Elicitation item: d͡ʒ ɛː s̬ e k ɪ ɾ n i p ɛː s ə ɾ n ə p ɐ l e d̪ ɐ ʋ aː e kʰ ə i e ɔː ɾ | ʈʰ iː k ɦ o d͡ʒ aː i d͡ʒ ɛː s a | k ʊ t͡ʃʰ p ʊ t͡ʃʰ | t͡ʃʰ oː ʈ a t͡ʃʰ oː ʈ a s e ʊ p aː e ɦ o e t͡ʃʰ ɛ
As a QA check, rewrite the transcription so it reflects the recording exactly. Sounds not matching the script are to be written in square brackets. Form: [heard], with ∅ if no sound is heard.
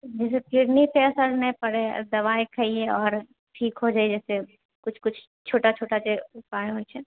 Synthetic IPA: d͡ʒ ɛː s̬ e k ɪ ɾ n i p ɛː s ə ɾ n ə p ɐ [ɽ] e d̪ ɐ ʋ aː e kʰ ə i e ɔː ɾ | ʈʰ iː k ɦ o d͡ʒ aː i d͡ʒ ɛː s [e] | k ʊ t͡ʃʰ [k] ʊ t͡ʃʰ | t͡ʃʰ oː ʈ a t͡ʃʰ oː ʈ a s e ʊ p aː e ɦ o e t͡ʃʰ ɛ